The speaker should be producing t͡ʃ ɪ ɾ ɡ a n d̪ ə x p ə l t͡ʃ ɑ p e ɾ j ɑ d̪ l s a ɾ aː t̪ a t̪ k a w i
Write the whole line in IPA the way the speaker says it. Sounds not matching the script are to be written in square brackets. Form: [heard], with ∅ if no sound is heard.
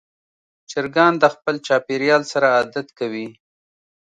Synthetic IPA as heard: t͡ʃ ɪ ɾ ɡ [ɑ] n d̪ ə x p ə l t͡ʃ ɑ p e ɾ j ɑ [∅] l s a ɾ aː [d̪] a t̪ k a w i